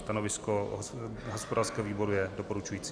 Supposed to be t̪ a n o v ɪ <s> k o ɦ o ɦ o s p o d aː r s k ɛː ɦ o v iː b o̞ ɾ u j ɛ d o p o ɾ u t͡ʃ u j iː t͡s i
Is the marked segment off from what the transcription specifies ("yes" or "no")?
no